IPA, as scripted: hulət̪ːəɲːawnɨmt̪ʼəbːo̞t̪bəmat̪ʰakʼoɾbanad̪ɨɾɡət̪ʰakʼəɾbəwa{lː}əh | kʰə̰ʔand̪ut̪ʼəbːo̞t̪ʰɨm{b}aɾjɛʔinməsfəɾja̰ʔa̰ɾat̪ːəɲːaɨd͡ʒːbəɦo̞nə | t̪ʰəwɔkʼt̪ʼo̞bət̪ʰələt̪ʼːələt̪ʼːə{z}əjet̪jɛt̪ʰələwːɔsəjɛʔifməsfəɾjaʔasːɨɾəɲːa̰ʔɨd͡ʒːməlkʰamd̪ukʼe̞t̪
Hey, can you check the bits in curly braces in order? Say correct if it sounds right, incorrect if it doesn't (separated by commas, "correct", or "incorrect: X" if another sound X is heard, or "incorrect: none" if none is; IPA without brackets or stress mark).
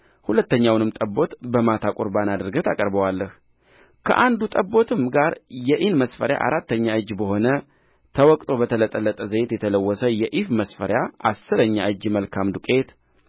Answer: correct, incorrect: ɡ, correct